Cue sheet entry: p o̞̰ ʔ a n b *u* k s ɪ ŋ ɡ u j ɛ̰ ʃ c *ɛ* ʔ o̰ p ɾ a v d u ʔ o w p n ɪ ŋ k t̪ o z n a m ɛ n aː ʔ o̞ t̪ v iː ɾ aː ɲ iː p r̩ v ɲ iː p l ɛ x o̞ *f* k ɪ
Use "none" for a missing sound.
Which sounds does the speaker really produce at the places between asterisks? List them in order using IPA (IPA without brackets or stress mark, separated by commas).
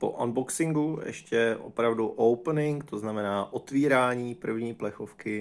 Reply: o, ɛ, f